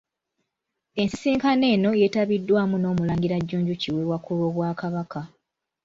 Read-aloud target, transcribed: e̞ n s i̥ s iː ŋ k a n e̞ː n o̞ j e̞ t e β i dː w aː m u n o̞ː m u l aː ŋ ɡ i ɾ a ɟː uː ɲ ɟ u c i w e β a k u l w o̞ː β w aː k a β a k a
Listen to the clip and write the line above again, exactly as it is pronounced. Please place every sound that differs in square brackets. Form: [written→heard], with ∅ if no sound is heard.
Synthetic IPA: e̞ n s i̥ s iː ŋ k a n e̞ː n o̞ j e̞ t [e→a] β i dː w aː m u n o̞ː m u l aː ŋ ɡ i ɾ a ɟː uː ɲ ɟ u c i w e [β→w] a k u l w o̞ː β w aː k a β a k a